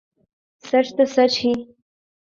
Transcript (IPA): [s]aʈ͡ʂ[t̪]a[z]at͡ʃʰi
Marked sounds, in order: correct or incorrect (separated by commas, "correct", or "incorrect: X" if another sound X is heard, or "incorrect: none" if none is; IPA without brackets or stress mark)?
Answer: correct, correct, incorrect: s